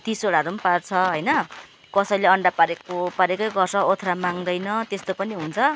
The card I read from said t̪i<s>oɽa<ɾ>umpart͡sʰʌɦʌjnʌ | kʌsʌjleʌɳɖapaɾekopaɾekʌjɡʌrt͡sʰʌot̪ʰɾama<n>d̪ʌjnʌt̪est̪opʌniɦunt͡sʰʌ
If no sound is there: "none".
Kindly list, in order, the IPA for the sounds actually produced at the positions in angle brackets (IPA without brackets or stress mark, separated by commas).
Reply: s, ɾ, ŋ